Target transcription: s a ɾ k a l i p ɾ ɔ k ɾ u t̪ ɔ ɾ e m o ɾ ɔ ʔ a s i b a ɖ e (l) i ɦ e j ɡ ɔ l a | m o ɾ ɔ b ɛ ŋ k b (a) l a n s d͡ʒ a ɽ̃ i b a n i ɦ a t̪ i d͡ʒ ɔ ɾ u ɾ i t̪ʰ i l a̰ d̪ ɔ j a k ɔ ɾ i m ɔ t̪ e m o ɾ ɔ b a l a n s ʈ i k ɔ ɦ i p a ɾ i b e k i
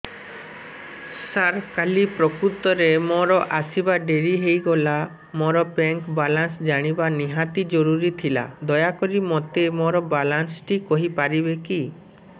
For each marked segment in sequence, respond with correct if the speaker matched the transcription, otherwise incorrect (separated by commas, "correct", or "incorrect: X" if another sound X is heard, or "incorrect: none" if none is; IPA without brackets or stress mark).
incorrect: ɾ, correct